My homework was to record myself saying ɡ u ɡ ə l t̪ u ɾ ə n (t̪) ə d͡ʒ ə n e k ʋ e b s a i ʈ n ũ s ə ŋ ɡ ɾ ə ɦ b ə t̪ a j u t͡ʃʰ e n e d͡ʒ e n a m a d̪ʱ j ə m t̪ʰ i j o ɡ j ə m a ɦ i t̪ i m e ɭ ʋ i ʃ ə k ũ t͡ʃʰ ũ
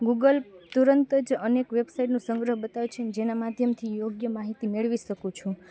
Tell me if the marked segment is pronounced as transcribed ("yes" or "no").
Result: yes